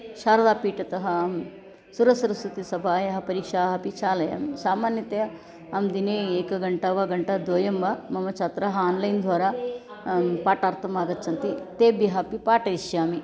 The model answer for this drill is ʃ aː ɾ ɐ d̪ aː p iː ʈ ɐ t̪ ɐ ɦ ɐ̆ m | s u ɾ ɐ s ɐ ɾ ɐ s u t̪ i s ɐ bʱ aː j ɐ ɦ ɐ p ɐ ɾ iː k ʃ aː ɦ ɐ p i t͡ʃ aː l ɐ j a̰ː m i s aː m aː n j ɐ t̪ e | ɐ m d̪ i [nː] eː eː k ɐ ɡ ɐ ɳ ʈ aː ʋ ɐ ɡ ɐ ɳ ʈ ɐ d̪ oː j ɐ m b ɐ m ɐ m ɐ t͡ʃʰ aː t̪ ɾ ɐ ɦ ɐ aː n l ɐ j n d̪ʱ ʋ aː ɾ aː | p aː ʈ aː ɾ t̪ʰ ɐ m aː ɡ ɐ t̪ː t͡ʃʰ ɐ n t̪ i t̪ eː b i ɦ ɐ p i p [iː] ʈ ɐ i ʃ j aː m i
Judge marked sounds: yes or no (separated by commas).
no, no